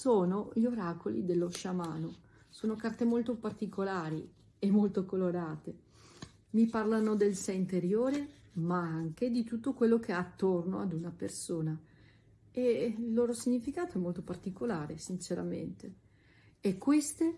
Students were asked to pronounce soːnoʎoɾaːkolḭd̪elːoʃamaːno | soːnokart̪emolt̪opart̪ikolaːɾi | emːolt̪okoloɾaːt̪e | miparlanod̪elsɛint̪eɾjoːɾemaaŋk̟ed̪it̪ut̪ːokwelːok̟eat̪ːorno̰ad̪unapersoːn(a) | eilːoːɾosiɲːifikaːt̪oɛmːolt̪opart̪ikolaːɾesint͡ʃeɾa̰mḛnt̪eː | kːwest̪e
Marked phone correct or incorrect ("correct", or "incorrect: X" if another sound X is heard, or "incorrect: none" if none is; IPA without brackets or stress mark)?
correct